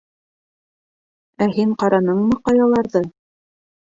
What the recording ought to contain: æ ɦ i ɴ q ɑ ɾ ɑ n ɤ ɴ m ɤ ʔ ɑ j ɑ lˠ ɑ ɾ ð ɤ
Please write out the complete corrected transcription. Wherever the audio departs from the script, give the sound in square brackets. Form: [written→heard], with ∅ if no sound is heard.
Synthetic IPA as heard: æ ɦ i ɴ q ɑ ɾ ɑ n ɤ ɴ m ɤ [ʔ→q] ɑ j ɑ lˠ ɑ ɾ ð ɤ